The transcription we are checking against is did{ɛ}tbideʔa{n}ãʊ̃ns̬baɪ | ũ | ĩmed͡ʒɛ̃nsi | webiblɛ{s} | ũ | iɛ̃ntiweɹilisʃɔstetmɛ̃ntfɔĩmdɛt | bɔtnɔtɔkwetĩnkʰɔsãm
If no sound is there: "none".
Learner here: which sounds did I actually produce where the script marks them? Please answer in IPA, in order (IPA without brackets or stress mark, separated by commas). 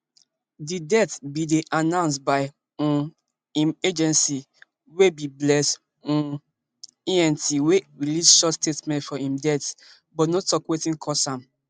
ɛ, n, s